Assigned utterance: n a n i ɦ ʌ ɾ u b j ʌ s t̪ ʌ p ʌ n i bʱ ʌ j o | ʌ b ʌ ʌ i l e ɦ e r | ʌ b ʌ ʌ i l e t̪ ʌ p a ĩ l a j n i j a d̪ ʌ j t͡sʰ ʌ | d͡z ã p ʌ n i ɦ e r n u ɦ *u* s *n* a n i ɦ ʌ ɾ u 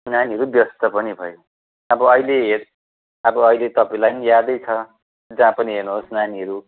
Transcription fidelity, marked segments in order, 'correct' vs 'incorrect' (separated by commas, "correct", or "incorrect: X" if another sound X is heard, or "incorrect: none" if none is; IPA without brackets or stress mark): incorrect: o, correct